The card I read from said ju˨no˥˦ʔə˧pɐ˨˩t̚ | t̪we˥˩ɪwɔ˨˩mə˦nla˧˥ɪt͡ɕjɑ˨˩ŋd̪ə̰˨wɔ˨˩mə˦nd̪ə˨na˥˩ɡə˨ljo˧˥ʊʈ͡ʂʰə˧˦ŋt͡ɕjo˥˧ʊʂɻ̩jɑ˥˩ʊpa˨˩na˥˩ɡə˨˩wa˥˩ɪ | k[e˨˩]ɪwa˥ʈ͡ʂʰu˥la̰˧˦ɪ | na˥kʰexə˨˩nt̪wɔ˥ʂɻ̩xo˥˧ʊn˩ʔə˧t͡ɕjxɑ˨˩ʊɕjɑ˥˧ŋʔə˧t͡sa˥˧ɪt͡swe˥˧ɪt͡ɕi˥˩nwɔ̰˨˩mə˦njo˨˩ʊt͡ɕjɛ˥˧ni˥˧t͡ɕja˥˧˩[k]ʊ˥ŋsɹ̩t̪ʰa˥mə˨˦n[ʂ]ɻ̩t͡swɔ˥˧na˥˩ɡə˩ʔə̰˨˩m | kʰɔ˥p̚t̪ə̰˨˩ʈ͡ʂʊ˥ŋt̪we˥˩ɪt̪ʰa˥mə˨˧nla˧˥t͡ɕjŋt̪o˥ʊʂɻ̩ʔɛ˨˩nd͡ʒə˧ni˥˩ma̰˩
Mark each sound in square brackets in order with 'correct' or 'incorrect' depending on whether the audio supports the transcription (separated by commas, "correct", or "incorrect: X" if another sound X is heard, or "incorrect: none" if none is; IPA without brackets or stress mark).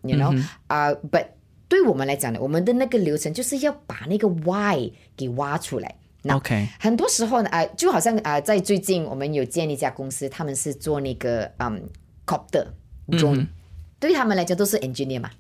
correct, correct, correct